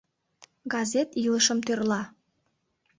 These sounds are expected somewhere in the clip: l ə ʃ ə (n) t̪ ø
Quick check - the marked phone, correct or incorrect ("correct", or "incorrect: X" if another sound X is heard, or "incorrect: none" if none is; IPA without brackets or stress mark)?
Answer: incorrect: m